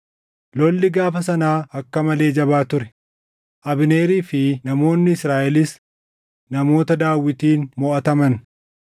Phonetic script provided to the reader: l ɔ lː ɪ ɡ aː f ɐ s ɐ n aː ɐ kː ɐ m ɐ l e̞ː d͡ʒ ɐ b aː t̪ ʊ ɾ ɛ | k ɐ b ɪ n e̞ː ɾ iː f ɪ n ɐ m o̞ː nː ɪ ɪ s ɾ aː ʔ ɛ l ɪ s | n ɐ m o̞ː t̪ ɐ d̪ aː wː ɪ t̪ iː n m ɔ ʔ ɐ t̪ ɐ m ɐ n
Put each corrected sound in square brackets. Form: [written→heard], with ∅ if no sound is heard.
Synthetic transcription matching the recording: l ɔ lː ɪ ɡ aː f ɐ s ɐ n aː ɐ kː ɐ m ɐ l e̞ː d͡ʒ ɐ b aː t̪ ʊ ɾ ɛ | [k→ʔ] ɐ b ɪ n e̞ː ɾ iː f ɪ n ɐ m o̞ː nː ɪ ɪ s ɾ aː ʔ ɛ l ɪ s | n ɐ m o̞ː t̪ ɐ d̪ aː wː ɪ t̪ iː n m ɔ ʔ ɐ t̪ ɐ m ɐ n